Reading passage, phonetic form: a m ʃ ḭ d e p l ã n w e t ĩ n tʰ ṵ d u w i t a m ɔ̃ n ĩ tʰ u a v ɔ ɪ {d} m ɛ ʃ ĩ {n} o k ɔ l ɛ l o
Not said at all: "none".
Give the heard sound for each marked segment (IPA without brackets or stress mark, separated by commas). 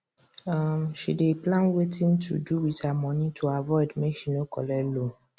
d, n